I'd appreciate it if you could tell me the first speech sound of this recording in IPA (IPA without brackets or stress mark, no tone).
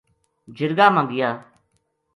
d͡ʒ